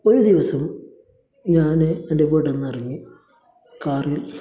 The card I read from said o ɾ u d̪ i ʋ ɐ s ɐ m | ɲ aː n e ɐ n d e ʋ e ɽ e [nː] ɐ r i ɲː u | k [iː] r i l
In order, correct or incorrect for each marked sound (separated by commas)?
correct, incorrect